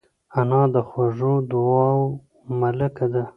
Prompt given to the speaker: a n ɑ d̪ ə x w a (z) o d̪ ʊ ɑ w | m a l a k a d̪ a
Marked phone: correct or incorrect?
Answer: incorrect